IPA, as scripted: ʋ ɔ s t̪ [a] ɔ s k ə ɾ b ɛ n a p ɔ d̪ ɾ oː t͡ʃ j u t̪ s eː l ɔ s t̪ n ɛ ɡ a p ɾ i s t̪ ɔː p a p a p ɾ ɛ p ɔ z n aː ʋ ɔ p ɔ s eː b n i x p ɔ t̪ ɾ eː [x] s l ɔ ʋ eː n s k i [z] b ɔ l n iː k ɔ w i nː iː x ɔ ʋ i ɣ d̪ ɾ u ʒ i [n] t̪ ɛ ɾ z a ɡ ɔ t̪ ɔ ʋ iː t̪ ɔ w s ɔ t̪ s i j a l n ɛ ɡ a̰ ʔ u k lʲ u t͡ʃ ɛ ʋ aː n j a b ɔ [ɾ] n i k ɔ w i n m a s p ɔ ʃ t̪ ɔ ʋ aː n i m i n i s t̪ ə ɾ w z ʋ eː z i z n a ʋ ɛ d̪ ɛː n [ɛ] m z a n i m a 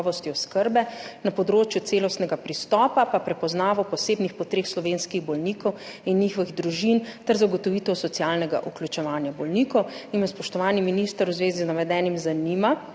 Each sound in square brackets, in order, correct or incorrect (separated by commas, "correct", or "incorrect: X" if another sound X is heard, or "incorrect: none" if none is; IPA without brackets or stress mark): incorrect: i, correct, incorrect: ɣ, correct, incorrect: l, incorrect: i